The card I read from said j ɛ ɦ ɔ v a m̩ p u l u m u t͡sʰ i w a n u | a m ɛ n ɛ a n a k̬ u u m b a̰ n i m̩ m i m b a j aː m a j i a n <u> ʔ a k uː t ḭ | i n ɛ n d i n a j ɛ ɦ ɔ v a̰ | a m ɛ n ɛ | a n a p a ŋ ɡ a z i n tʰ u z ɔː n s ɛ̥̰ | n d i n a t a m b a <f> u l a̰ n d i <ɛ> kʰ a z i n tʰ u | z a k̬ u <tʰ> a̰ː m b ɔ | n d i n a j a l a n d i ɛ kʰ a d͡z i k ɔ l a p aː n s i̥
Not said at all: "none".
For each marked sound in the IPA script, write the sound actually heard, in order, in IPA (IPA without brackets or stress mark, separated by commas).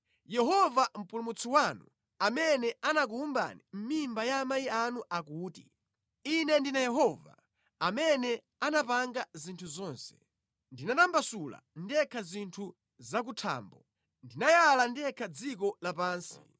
u, s, ɛ, tʰ